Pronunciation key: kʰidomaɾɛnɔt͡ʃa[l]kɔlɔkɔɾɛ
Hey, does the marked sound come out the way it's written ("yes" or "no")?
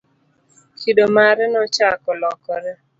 no